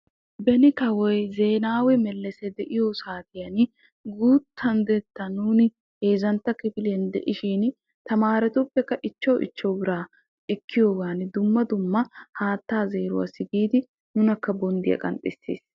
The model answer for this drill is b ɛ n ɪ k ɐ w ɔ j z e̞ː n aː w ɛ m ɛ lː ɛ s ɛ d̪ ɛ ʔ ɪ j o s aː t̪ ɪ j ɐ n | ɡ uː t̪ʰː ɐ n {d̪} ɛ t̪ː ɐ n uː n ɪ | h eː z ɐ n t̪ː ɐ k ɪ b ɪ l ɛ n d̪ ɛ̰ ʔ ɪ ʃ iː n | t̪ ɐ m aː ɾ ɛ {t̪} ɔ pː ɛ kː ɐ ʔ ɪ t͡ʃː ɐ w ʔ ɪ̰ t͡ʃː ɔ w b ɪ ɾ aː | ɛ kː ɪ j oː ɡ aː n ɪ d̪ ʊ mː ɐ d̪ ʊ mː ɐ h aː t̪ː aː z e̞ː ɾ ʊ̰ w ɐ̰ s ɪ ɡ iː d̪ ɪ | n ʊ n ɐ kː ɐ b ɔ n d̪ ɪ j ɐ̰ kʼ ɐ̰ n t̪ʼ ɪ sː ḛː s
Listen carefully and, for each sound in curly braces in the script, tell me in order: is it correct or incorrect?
correct, correct

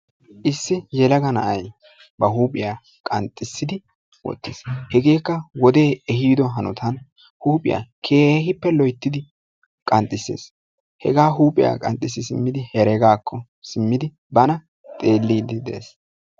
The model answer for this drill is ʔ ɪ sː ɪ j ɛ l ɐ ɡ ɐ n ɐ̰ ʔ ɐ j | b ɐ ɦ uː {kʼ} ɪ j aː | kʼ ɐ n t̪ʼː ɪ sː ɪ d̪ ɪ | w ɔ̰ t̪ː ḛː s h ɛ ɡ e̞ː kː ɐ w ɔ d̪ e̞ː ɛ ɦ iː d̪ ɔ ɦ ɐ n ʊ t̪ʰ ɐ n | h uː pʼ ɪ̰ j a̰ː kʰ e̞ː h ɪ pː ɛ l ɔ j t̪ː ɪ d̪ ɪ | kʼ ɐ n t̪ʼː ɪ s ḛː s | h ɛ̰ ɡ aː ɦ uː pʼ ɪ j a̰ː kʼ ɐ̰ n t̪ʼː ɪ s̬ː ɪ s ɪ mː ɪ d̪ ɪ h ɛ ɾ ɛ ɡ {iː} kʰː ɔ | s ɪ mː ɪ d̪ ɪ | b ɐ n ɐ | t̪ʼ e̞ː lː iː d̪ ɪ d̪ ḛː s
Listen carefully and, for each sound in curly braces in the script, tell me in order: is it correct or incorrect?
incorrect, incorrect

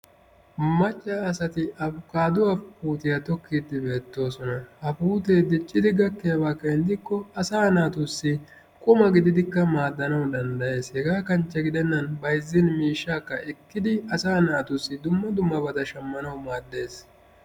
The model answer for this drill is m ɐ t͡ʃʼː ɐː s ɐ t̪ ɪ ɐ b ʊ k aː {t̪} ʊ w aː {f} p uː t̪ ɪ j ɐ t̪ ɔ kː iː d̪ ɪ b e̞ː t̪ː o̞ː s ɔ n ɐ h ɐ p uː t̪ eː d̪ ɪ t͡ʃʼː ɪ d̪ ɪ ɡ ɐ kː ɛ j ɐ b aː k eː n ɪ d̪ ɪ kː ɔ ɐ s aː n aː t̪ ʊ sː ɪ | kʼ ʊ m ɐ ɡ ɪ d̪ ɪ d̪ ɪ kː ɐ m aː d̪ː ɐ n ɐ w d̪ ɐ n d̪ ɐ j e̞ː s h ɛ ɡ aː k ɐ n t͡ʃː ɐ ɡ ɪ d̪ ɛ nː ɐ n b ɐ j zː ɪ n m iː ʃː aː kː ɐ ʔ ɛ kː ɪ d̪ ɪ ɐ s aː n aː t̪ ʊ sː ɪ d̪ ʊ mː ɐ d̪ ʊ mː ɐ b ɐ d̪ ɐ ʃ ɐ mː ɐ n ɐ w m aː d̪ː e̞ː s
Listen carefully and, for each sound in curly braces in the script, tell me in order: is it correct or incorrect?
incorrect, correct

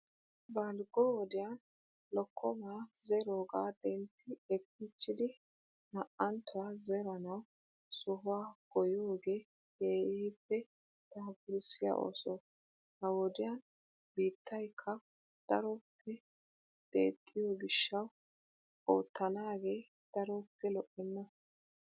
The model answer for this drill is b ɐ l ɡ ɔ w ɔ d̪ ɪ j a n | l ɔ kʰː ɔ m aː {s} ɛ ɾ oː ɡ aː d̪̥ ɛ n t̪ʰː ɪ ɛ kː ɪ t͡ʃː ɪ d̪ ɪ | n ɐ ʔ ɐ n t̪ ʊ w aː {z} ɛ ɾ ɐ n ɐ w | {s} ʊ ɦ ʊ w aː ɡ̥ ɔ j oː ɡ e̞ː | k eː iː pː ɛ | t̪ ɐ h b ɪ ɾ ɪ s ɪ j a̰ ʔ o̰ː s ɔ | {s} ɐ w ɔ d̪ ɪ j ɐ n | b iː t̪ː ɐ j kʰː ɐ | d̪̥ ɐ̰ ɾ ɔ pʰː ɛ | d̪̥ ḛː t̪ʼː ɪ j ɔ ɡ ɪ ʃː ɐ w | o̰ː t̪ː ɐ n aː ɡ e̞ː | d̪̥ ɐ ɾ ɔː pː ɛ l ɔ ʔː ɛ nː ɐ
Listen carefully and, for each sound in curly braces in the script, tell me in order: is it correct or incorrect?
incorrect, correct, correct, incorrect

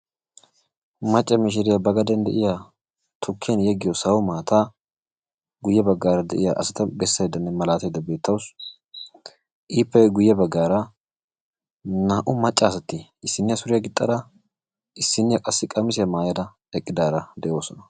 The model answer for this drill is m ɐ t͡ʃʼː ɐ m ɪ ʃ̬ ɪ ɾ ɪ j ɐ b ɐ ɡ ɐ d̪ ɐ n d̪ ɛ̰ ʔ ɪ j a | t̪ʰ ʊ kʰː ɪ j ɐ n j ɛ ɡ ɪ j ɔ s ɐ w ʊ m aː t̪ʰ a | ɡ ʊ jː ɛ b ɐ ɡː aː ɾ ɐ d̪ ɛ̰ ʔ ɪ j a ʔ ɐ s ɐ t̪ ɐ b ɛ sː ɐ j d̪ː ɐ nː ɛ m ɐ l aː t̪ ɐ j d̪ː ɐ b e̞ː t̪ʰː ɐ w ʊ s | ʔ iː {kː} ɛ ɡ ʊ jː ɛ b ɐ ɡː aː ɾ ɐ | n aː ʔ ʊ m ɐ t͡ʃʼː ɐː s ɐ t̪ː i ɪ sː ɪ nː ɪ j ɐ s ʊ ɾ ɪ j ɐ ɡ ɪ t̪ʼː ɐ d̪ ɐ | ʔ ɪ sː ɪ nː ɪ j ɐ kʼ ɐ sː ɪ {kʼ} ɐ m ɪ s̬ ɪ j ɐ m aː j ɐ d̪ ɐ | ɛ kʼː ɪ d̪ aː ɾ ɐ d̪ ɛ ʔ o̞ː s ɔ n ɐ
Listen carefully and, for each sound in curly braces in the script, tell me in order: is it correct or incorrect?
incorrect, correct

